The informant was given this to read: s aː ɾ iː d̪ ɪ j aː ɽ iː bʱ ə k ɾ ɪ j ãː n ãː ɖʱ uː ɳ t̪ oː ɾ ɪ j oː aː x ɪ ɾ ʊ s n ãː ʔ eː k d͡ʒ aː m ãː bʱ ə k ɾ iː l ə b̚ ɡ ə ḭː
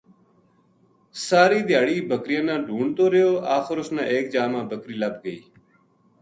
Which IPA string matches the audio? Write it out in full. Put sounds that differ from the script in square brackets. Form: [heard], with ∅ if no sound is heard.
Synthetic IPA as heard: s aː ɾ iː d̪ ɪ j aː ɽ iː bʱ ə k ɾ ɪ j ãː n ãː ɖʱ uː ɳ t̪ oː ɾ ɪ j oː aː x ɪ ɾ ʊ s n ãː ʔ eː k d͡ʒ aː m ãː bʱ ə k ɾ iː l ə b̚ ɡ ə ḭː